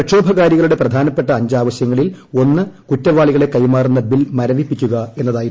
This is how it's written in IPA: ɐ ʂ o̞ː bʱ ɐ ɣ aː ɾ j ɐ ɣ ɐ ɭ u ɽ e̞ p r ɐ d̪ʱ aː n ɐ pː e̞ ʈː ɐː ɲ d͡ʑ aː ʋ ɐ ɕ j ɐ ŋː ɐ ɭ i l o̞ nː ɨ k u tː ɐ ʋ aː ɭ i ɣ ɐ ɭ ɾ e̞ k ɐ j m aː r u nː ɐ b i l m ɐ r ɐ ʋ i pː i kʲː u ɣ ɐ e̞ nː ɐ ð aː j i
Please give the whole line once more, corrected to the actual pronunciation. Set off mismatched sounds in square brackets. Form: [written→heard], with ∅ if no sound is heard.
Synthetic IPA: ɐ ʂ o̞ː bʱ ɐ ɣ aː ɾ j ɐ ɣ ɐ ɭ u ɽ e̞ p r ɐ d̪ʱ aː n ɐ pː e̞ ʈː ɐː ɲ d͡ʑ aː ʋ ɐ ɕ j ɐ ŋː ɐ ɭ i l o̞ nː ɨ k u tː ɐ ʋ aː ɭ i ɣ ɐ ɭ [ɾ→ɽ] e̞ k ɐ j m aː r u nː ɐ b i l m ɐ [r→ɾ] ɐ ʋ i pː i kʲː u ɣ ɐ e̞ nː ɐ ð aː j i

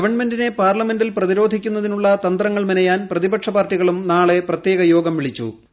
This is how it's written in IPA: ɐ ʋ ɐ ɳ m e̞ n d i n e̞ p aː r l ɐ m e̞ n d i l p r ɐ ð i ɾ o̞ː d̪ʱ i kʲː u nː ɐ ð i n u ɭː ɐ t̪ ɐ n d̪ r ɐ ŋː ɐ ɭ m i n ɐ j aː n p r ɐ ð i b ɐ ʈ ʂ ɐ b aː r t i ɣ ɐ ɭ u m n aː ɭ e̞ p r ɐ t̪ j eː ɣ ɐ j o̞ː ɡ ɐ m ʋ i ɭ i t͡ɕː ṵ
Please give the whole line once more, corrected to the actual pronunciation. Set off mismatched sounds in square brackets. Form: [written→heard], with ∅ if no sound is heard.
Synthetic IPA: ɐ ʋ ɐ ɳ m e̞ n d i n e̞ p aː r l ɐ m e̞ n d i l p r ɐ ð i ɾ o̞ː d̪ʱ i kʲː u nː ɐ ð i n u ɭː ɐ t̪ ɐ n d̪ r ɐ ŋː ɐ ɭ m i n ɐ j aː n p r ɐ ð i b ɐ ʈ ʂ ɐ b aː r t i ɣ ɐ ɭ u m n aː ɭ e̞ p r ɐ t̪ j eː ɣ ɐ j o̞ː ɡ ɐ m ʋ i ɭ i t͡ɕː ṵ

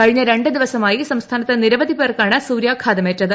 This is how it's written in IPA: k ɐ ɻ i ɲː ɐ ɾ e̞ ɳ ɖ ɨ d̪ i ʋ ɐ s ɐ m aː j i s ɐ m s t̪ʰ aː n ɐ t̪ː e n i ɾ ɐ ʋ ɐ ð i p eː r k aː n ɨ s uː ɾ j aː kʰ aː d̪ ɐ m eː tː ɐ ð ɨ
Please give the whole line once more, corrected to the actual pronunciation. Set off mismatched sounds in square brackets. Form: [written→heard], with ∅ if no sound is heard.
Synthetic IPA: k ɐ ɻ i ɲː ɐ ɾ e̞ ɳ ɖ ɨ d̪ i ʋ ɐ s ɐ m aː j i s ɐ m s t̪ʰ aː n ɐ t̪ː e n i ɾ ɐ ʋ ɐ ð i p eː r k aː [n→ɳ] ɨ s uː ɾ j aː kʰ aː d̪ ɐ m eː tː ɐ ð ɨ

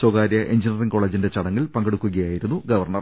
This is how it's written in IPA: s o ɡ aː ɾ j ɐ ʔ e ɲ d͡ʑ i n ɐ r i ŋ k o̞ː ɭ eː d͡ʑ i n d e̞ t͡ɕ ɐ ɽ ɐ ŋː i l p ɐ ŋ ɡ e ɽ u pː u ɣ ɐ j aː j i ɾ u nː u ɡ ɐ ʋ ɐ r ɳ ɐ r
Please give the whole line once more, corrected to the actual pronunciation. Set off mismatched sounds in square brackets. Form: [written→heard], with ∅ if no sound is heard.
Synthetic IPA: s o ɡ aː ɾ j ɐ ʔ e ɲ d͡ʑ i n ɐ r i ŋ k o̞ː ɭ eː d͡ʑ i n d e̞ t͡ɕ ɐ ɽ ɐ ŋː i l p ɐ ŋ ɡ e ɽ u [pː→kː] u ɣ ɐ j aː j i ɾ u nː u ɡ ɐ ʋ ɐ r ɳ ɐ r

